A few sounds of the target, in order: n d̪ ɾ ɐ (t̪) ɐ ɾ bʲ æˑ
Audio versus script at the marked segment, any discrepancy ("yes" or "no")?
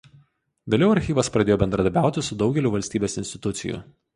yes